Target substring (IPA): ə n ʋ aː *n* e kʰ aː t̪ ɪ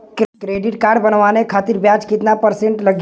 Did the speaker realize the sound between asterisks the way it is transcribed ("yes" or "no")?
yes